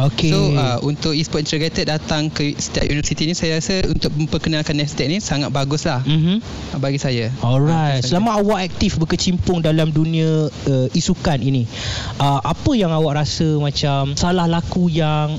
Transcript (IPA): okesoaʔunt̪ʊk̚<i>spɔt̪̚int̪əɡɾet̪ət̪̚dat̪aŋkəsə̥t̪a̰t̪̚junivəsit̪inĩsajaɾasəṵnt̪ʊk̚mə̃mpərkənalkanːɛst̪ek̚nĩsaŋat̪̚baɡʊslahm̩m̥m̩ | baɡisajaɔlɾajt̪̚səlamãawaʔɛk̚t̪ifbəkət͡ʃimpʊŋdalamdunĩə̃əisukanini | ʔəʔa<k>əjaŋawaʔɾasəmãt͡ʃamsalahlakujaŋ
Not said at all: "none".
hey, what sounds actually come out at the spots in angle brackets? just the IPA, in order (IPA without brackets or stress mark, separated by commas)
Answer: i, p